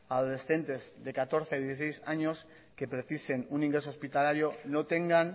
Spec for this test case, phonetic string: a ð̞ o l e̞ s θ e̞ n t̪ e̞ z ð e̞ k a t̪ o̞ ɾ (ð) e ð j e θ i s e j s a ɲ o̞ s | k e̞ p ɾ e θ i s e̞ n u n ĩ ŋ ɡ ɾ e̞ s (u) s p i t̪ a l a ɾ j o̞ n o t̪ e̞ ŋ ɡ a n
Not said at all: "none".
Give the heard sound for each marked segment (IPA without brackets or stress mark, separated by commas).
θ, o